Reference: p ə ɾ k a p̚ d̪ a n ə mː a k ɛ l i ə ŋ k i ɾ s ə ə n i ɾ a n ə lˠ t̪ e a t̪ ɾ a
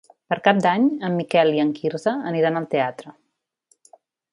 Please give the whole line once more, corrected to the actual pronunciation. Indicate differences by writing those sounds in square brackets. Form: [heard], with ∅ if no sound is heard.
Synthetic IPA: p ə ɾ k a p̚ d̪ a [ɲ] ə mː [i] k ɛ l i ə ŋ k i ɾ [z] ə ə n i ɾ a n ə lˠ t̪ e a t̪ ɾ [ə]